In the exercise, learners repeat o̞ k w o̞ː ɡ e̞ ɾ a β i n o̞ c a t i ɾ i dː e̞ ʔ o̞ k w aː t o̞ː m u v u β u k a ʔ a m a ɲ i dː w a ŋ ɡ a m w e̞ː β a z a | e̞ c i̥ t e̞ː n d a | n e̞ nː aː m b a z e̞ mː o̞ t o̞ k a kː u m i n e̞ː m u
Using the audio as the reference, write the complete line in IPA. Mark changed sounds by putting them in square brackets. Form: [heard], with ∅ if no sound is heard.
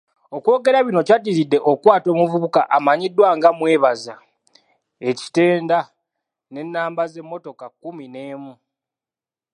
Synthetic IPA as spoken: o̞ k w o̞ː ɡ e̞ ɾ a β i n o̞ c a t i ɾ i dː e̞ ʔ o̞ k w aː t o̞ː m u v u β u k a ʔ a m a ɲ i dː w a ŋ ɡ a m w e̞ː β a z a | e̞ c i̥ t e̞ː n d a | n e̞ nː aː m b a z e̞ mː o̞ t o̞ k a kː u m i n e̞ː m u